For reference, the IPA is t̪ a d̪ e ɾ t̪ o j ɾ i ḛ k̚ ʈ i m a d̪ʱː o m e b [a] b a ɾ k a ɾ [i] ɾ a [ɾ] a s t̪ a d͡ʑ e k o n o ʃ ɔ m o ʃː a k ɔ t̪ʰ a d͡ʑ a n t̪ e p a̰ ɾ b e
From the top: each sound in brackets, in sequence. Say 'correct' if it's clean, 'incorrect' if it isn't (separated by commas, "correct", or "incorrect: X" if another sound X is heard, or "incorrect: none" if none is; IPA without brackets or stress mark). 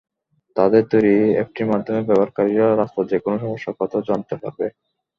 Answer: incorrect: ɛ, correct, correct